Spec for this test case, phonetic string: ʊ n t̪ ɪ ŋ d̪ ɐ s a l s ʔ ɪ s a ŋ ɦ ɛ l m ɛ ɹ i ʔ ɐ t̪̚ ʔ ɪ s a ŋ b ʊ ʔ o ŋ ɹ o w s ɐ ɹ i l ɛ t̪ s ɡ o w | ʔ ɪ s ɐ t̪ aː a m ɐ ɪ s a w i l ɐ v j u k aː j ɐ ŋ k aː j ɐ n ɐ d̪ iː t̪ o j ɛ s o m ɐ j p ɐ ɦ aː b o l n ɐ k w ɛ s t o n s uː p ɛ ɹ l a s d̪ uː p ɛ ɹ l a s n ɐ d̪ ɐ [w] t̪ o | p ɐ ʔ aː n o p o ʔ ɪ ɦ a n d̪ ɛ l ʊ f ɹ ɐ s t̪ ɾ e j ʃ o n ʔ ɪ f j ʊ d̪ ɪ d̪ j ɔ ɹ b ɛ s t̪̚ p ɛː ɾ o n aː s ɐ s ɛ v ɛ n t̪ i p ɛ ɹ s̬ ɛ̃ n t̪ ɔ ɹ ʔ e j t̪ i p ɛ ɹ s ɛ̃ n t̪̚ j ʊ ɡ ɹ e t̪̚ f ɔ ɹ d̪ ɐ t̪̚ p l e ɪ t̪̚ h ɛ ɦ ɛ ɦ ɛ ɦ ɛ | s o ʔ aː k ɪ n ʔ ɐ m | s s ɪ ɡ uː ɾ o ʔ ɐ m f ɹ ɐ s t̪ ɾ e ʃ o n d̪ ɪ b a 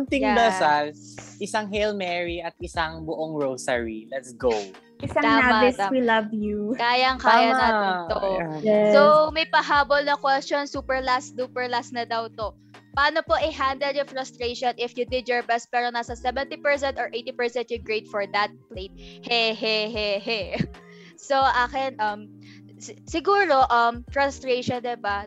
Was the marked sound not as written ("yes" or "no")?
no